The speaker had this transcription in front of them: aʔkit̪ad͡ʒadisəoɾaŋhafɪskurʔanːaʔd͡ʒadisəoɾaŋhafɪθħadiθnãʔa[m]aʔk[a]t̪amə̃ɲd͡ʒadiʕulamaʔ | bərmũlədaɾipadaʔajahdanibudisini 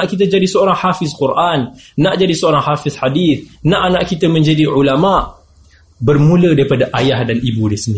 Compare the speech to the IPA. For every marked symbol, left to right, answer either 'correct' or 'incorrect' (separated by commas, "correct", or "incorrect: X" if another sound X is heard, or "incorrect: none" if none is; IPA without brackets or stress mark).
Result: incorrect: n, incorrect: i